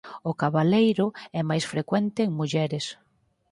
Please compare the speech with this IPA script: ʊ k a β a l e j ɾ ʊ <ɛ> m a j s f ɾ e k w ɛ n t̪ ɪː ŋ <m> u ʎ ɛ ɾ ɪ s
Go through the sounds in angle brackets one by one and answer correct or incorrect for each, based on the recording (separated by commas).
correct, correct